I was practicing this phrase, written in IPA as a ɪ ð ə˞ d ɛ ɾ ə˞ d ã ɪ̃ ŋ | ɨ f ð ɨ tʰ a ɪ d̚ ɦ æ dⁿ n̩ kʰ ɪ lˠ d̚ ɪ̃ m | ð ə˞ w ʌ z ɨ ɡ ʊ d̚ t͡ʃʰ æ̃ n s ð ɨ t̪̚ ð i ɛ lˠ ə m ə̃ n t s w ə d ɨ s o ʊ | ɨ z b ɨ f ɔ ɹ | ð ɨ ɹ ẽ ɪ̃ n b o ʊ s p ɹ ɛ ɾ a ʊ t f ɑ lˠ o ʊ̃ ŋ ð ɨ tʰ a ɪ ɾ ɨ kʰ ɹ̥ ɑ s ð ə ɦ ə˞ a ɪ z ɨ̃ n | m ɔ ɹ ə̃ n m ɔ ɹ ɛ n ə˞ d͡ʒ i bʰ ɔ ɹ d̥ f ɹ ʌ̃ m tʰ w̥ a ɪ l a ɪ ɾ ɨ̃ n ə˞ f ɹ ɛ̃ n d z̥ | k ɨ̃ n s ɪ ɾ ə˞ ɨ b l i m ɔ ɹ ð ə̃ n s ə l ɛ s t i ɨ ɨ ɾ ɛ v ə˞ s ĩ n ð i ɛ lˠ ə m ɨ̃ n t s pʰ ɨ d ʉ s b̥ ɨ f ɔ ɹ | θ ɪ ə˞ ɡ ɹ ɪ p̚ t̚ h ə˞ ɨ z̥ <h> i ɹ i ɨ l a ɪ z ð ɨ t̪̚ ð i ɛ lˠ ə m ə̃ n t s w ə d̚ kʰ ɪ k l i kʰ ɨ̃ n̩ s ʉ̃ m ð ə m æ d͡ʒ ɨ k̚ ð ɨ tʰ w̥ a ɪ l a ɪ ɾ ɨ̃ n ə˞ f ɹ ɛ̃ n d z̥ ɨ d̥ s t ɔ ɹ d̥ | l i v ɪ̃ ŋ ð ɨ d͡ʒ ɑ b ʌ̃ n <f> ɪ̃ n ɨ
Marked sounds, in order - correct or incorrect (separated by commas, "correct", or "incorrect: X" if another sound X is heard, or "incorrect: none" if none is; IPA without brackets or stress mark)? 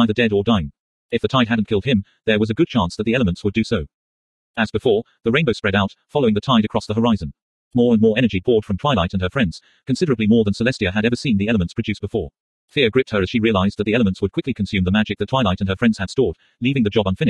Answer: incorrect: ʃ, correct